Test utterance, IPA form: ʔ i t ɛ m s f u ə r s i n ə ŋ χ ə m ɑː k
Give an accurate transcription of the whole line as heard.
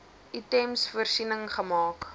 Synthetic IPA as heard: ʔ i t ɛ m s f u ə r s i n ə ŋ χ ə m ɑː k